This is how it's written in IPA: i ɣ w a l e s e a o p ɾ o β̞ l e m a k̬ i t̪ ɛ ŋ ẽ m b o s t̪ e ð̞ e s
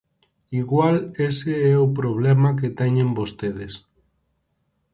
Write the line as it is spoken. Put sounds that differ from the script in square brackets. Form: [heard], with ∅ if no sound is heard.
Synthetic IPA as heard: i ɣ w a l e s e [ɛ] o p ɾ o β̞ l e m a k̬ [e] t̪ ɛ [ɲ] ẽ m b o s t̪ e ð̞ e s